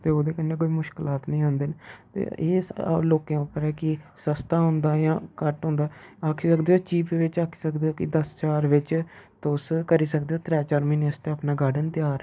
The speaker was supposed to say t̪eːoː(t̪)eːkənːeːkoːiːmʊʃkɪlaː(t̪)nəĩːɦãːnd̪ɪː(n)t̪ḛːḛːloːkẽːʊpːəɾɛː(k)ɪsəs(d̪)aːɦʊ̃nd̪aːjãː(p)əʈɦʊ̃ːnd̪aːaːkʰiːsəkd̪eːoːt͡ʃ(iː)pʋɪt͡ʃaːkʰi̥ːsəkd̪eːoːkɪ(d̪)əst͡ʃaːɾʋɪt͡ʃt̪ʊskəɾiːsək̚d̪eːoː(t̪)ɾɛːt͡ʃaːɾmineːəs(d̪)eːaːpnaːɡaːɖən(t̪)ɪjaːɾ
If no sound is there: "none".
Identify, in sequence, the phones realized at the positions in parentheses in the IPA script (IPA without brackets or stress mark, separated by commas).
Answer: d̪, t̪, n, k, t̪, k, iː, d̪, t̪, t̪, t̪